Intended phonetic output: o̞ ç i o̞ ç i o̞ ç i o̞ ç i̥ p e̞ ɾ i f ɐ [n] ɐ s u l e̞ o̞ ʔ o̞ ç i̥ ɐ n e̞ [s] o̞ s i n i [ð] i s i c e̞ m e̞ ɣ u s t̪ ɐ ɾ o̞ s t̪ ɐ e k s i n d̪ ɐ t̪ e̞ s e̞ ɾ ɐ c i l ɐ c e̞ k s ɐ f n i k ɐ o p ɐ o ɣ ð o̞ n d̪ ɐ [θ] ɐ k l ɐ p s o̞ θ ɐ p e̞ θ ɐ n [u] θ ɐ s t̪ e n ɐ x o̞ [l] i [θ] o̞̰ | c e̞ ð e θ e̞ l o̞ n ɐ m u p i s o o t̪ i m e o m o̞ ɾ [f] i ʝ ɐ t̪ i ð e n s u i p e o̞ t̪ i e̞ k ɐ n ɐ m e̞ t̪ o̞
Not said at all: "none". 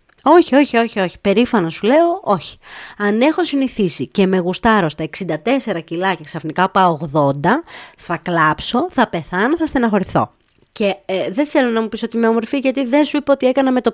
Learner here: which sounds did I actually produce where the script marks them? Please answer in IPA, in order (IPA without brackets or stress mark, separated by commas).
n, x, θ, θ, o, ɾ, θ, f